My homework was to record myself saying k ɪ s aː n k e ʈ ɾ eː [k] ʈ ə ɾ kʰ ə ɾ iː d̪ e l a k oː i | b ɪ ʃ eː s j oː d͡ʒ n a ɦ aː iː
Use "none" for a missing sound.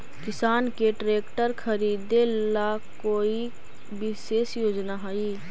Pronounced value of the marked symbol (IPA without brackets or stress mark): k